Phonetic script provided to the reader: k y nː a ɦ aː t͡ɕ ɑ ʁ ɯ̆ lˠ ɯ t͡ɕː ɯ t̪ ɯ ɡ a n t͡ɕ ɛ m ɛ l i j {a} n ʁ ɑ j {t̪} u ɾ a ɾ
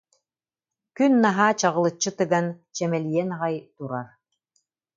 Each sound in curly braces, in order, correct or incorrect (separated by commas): incorrect, correct